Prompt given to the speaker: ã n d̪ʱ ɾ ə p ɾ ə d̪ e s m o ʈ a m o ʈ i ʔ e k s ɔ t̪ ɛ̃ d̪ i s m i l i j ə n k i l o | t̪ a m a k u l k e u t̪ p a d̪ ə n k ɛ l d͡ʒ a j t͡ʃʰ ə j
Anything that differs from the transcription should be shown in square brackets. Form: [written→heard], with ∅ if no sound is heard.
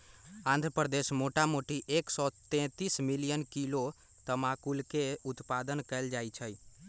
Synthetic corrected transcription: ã n d̪ʱ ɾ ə p ɾ ə d̪ e s m o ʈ a m o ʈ i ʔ e k s ɔ t̪ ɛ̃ [d̪→t̪] i s m i l i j ə n k i l o | t̪ [a→ə] m a k u l k e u t̪ p a d̪ ə n k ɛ l d͡ʒ a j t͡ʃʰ ə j

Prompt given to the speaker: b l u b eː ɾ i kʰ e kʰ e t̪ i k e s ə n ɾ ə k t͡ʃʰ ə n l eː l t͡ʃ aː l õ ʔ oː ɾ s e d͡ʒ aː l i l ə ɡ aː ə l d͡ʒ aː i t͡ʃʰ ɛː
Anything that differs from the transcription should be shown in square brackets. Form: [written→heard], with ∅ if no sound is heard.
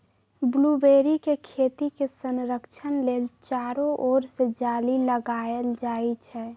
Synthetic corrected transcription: b l u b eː ɾ i [kʰ→k] e kʰ e t̪ i k e s ə n ɾ ə k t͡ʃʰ ə n l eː l t͡ʃ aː [l→ɾ] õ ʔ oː ɾ s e d͡ʒ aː l i l ə ɡ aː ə l d͡ʒ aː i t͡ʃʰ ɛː

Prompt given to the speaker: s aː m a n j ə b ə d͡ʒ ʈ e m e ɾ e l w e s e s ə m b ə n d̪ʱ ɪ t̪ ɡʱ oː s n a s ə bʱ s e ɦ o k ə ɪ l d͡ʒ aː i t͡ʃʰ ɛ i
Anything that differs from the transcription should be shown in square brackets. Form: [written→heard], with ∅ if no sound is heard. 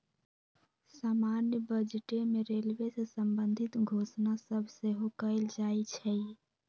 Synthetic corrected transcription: s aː m a n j ə b ə d͡ʒ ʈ e m e ɾ e l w e s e s ə m b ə n d̪ʱ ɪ t̪ ɡʱ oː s n a s ə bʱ s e ɦ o k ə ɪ l d͡ʒ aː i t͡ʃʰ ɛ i

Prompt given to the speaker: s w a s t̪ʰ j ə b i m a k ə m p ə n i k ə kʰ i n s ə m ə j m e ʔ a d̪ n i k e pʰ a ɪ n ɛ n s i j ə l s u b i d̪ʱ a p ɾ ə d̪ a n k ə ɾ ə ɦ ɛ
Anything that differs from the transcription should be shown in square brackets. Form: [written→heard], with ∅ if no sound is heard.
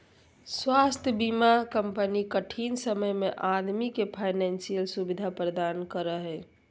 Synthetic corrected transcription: s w a s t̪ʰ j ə b i m a k ə m p ə n i k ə [kʰ→ʈʰ] i n s ə m ə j m e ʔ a d̪ [n→m] i k e pʰ a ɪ n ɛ n s i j ə l s u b i d̪ʱ a p ɾ ə d̪ a n k ə ɾ ə ɦ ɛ

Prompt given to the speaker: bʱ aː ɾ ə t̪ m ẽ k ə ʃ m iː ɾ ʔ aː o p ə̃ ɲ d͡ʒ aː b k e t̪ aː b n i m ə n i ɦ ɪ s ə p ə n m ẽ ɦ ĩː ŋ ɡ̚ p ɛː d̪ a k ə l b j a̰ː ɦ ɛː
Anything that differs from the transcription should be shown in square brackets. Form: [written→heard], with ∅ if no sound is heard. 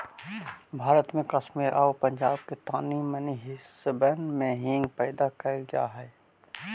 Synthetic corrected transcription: bʱ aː ɾ ə t̪ m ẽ k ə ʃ m iː ɾ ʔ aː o p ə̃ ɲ d͡ʒ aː b k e t̪ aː [b→∅] n i m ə n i ɦ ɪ s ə [p→b] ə n m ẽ ɦ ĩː ŋ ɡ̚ p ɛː d̪ a k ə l [b→ɡ] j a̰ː ɦ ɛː

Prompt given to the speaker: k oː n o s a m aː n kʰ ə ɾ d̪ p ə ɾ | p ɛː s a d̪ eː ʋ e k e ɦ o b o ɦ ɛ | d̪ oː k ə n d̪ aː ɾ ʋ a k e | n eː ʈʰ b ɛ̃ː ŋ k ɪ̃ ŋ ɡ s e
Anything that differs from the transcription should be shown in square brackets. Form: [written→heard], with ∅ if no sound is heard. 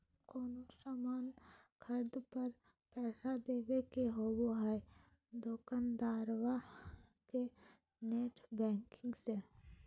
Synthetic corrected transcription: k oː n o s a m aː n kʰ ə ɾ d̪ p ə ɾ | p ɛː s a d̪ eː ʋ e k e ɦ o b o ɦ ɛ | d̪ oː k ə n d̪ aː ɾ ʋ a k e | n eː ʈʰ b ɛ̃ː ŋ k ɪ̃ ŋ ɡ s e

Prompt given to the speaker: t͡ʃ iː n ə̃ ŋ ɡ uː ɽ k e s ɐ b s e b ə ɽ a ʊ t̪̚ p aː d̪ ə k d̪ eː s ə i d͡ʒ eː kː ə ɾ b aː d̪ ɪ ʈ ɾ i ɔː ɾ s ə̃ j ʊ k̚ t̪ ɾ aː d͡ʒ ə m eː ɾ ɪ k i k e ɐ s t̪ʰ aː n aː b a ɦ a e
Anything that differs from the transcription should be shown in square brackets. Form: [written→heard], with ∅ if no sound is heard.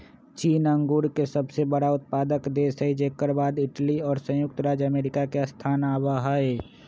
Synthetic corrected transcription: t͡ʃ iː n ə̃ ŋ ɡ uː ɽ k e s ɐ b s e b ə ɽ a ʊ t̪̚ p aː d̪ ə k d̪ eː s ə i d͡ʒ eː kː ə ɾ b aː d̪ ɪ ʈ [ɾ→l] i ɔː ɾ s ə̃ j ʊ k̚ t̪ ɾ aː d͡ʒ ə m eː ɾ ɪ k [i→a] k e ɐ s t̪ʰ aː n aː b a ɦ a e

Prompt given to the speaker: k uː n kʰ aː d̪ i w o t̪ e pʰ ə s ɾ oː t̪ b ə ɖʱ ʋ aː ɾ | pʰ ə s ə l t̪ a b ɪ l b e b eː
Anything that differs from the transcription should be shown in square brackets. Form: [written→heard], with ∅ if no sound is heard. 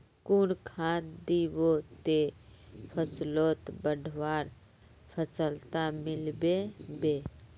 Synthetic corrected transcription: k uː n kʰ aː d̪ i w o t̪ e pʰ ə s [ɾ→l] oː t̪ b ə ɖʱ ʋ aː ɾ | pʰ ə s ə l t̪ a [b→m] ɪ l b e b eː

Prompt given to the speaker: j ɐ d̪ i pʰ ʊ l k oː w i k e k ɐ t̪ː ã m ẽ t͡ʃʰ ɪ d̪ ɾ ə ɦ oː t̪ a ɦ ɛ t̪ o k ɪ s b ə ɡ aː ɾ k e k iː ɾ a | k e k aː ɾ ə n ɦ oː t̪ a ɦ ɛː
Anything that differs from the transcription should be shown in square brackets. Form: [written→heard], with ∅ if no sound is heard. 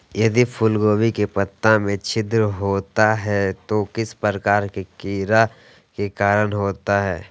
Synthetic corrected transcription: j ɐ d̪ i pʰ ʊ l [k→ɡ] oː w i k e [k→p] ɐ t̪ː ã m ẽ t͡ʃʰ ɪ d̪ ɾ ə ɦ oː t̪ a ɦ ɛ t̪ o k ɪ s [b→p] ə [ɡ→k] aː ɾ k e k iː ɾ a | k e k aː ɾ ə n ɦ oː t̪ a ɦ ɛː

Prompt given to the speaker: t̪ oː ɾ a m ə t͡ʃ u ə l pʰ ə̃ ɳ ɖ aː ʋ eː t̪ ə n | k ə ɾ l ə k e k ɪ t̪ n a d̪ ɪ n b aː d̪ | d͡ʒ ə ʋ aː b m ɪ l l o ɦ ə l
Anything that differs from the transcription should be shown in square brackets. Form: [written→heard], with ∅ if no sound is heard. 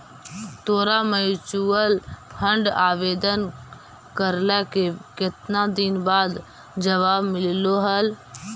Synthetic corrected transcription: t̪ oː ɾ a m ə t͡ʃ u ə l pʰ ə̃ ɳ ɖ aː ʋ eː [t̪→d̪] ə n | k ə ɾ l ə k e k ɪ t̪ n a d̪ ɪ n b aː d̪ | d͡ʒ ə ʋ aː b m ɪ l l o ɦ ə l

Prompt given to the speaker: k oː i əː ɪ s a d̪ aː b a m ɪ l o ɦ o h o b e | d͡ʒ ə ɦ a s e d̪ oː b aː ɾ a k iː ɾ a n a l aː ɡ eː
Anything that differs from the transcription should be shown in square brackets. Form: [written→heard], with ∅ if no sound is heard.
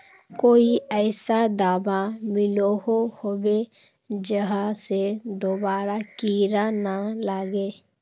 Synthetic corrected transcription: k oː i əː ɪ s a d̪ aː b a m ɪ l o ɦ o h o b e | d͡ʒ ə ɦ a s e d̪ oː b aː ɾ a k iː ɾ a n a l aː ɡ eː

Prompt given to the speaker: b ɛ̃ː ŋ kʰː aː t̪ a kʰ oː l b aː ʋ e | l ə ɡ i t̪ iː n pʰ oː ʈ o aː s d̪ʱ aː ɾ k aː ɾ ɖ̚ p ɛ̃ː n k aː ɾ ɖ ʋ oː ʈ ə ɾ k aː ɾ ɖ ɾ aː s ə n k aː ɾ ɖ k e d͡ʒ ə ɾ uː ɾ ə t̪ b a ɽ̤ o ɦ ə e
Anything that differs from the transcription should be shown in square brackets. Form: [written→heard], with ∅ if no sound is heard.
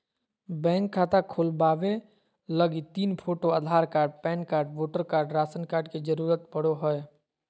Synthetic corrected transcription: b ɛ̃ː ŋ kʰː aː t̪ a kʰ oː l b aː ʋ e | l ə ɡ i t̪ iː n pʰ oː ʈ o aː [s→∅] d̪ʱ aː ɾ k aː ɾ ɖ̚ p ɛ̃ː n k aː ɾ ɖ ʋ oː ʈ ə ɾ k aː ɾ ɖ ɾ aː s ə n k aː ɾ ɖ k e d͡ʒ ə ɾ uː ɾ ə t̪ b [a→ə] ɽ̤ o ɦ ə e

